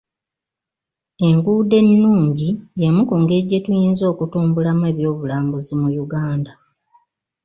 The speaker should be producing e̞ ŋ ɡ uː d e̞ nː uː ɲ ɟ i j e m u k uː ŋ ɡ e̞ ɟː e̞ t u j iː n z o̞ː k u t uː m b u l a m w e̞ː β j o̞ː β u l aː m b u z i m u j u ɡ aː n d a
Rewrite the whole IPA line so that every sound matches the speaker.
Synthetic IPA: e̞ ŋ ɡ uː d e̞ nː uː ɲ ɟ i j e m u k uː ŋ ɡ e̞ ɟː e̞ t u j iː n z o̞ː k u t uː m b u l a m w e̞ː β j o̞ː β u l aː m b u z i m u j u ɡ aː n d a